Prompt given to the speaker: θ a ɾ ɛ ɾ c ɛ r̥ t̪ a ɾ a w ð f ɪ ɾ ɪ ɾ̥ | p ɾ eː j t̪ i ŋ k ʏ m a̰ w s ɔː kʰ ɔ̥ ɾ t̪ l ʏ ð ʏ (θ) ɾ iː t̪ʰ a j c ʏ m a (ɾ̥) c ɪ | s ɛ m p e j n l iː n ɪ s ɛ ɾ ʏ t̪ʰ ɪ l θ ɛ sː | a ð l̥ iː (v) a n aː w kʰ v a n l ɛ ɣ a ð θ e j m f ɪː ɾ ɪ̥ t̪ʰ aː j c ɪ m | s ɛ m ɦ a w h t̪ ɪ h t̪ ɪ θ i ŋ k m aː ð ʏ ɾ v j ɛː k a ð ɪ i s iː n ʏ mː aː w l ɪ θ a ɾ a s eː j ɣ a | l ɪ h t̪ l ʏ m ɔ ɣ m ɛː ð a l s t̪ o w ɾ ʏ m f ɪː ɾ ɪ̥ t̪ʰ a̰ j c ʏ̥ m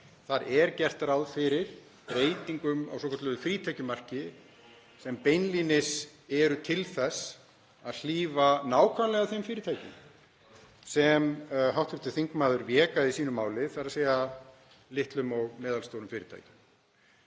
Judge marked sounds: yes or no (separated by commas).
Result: no, no, yes